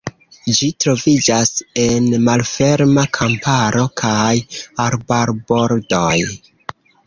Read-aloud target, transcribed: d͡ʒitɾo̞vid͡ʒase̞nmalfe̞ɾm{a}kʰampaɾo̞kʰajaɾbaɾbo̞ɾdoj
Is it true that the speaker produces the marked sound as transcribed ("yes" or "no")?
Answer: yes